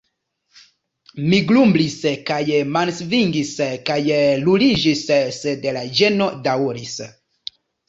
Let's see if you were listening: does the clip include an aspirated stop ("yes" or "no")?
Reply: no